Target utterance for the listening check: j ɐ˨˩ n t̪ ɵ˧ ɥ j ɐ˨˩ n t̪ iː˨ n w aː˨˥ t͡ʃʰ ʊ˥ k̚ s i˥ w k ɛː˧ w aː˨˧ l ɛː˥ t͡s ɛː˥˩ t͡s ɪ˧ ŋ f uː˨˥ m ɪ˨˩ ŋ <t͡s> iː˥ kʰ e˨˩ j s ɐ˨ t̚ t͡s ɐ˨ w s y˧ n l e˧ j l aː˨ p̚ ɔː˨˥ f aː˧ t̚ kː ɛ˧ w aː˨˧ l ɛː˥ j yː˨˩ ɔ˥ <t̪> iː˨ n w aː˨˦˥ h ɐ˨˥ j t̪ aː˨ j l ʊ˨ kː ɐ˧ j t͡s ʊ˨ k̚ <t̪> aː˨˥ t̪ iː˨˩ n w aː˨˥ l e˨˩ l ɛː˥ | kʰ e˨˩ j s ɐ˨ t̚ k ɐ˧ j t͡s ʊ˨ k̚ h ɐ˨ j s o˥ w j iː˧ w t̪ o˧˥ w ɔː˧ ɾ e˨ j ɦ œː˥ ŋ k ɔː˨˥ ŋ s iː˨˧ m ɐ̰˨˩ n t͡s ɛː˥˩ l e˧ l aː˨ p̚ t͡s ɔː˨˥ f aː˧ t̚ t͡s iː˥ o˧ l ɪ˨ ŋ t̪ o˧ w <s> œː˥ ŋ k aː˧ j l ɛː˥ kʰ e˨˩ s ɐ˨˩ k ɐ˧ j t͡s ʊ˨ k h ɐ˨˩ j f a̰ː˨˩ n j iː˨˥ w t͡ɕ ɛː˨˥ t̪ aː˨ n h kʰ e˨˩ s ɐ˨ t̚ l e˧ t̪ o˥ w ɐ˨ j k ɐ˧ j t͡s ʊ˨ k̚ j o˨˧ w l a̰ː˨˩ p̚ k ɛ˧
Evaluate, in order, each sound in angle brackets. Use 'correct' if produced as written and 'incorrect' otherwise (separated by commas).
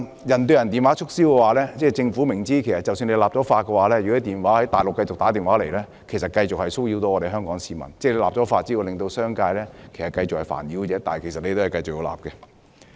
correct, correct, correct, correct